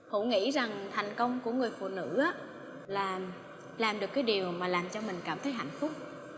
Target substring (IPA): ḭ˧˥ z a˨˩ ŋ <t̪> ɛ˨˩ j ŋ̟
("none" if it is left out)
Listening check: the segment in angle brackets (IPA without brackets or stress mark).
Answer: t̪ʰ